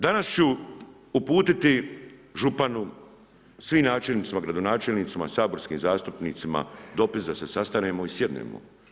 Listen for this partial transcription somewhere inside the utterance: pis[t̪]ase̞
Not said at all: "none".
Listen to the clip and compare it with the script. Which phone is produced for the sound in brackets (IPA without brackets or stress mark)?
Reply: d̪